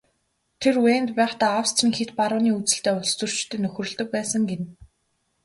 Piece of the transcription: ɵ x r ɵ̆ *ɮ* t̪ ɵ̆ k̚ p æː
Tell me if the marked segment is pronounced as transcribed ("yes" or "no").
yes